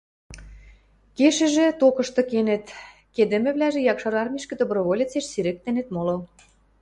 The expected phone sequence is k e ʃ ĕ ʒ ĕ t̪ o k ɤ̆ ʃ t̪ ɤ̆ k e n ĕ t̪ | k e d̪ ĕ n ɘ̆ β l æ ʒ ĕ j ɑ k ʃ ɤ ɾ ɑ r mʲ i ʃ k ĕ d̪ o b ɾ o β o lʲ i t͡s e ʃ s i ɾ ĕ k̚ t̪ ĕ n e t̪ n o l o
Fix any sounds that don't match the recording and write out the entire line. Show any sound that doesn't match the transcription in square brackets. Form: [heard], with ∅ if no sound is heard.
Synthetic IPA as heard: k e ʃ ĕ ʒ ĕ t̪ o k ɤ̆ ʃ t̪ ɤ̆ k e n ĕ t̪ | k e d̪ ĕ [m] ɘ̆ β l æ ʒ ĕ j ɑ k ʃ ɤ ɾ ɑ r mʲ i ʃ k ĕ d̪ o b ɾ o β o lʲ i t͡s e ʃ s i ɾ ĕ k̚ t̪ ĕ n e t̪ [m] o l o

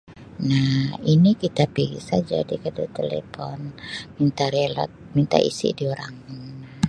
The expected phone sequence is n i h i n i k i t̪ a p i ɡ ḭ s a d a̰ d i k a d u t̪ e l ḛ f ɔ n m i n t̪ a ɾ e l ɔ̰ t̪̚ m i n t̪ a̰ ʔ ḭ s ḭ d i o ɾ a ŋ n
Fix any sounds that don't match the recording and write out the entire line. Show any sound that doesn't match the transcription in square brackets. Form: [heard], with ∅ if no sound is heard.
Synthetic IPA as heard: n [a] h i n i k i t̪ a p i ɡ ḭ s a [d͡ʒ] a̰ d i k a d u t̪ e l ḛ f ɔ n m i n t̪ a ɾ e l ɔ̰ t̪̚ m i n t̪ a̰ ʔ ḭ s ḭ d i o ɾ a ŋ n

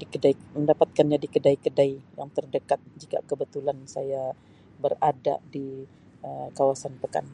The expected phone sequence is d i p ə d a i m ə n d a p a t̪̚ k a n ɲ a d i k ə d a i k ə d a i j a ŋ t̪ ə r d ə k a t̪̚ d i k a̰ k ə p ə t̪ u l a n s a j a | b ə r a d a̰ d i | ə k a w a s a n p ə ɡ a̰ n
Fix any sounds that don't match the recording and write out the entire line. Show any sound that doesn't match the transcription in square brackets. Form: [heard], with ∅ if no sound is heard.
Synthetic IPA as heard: d i [k] ə d a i m ə n d a p a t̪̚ k a n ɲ a d i k ə d a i k ə d a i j a ŋ t̪ ə r d ə k a t̪̚ [d͡ʒ] i k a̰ k ə [b] ə t̪ u l a n s a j a | b ə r a d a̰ d i | ə k a w a s a n p ə [k] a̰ n

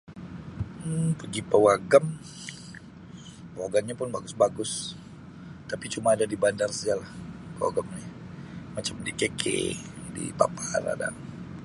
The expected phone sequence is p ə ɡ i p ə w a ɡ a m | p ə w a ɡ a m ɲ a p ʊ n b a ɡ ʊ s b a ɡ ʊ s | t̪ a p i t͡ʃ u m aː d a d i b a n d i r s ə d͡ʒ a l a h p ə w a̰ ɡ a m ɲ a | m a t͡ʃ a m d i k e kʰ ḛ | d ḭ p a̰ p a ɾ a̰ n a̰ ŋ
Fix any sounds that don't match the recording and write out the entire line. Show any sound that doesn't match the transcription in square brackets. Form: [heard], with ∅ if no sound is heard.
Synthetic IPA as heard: p ə ɡ i p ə w a ɡ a m | p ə w a ɡ a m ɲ a p ʊ n b a ɡ ʊ s b a ɡ ʊ s | t̪ a p i t͡ʃ u m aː d a d i b a n d [a] r s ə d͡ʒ a l a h p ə w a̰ ɡ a m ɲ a | m a t͡ʃ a m d i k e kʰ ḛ | d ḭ p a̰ p a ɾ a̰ [d] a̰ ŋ

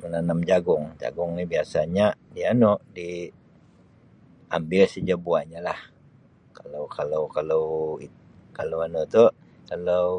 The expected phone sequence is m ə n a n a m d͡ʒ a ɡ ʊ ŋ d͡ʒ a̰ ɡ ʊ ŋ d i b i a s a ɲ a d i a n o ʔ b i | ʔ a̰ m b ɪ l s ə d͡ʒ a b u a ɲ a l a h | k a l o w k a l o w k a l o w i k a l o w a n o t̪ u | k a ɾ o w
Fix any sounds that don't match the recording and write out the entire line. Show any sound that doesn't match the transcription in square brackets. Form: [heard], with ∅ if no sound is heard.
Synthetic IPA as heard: m ə n a n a m d͡ʒ a ɡ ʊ ŋ d͡ʒ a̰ ɡ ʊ ŋ [n] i b i a s a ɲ a d i a n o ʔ [d] i | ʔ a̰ m b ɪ l s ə d͡ʒ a b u a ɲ a l a h | k a l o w k a l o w k a l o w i k a l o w a n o t̪ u | k a [l] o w

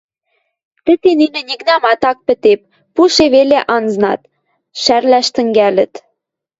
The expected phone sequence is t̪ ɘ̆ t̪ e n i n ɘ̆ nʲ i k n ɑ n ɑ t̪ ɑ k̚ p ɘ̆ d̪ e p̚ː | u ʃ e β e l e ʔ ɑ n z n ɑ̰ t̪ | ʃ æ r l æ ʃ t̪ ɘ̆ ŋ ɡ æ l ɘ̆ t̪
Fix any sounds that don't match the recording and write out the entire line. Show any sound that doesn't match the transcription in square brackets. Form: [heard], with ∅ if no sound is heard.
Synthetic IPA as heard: t̪ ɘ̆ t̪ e n i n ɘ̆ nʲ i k n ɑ [m] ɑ t̪ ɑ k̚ p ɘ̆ [t̪] e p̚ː | u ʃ e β e l e ʔ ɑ n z n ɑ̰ t̪ | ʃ æ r l æ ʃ t̪ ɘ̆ ŋ ɡ æ l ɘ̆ t̪

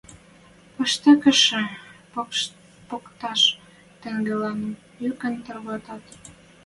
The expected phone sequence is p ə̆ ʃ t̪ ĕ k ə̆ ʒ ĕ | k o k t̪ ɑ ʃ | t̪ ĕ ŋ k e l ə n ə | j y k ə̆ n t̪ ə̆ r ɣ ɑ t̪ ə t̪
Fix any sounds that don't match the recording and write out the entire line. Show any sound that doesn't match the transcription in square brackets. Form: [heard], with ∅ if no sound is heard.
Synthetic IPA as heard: p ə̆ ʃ t̪ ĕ k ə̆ [ʃ] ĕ | [p] o k t̪ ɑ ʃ | t̪ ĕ ŋ [ɡ] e l [ɑ] n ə | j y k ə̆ n t̪ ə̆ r ɣ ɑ t̪ [ɑ] t̪

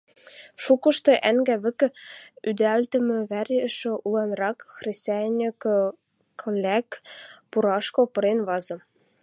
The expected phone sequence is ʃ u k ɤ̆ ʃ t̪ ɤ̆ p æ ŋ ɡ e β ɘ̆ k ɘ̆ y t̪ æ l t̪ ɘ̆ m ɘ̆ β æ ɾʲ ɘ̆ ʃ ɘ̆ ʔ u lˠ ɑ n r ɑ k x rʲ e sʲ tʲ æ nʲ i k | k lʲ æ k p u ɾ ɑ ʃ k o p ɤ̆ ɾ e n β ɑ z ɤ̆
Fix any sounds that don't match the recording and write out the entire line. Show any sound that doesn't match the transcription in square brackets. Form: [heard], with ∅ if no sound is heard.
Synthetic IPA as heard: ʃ u k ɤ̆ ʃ t̪ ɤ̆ [ʔ] æ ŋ ɡ [æ] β ɘ̆ k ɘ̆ y [d̪] æ l t̪ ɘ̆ m ɘ̆ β æ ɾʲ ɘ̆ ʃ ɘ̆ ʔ u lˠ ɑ n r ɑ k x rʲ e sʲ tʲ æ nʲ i k | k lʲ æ k p u ɾ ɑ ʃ k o p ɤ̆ ɾ e n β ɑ z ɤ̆

